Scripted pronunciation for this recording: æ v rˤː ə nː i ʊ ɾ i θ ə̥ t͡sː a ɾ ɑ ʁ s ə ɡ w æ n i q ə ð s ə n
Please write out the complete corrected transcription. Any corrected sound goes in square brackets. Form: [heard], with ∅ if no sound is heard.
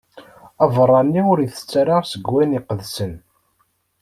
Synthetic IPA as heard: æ v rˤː [ɑ] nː i ʊ ɾ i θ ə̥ t͡sː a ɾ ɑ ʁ s ə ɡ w æ n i q ə ð s ə n